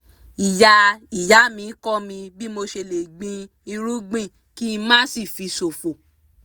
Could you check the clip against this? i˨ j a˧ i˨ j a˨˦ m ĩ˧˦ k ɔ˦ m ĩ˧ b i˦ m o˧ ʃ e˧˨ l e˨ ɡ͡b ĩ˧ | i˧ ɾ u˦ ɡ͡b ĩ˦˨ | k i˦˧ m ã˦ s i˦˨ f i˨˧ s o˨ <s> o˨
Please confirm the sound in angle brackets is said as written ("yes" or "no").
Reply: no